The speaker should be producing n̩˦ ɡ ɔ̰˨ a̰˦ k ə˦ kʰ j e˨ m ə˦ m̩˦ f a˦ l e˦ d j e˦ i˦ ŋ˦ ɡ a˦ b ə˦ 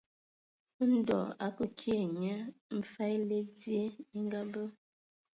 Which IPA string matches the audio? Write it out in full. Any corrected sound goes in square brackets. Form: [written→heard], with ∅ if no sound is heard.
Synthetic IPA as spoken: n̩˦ [ɡ→d] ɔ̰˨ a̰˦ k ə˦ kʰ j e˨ [m→ɲ] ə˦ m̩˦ f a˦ l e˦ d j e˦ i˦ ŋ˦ ɡ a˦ b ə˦